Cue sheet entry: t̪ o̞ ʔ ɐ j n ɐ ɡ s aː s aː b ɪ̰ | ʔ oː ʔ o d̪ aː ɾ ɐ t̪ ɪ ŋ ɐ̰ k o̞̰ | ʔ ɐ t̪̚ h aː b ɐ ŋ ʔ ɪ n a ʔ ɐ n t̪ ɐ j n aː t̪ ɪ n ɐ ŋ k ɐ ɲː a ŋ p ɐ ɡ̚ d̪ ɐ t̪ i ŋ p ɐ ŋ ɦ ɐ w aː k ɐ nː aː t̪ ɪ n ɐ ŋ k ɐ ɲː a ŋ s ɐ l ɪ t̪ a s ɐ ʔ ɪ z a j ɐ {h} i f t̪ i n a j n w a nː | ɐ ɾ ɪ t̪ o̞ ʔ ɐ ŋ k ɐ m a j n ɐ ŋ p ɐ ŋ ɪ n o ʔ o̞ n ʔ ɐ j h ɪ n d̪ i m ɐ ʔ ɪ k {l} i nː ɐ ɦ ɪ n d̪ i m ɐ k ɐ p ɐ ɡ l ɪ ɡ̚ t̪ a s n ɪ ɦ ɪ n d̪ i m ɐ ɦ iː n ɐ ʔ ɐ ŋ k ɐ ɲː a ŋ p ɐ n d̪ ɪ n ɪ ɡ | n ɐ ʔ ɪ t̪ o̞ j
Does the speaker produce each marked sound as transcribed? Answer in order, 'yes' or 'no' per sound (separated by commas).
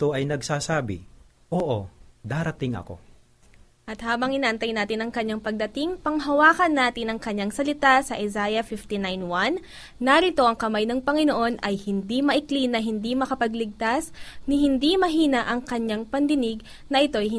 no, yes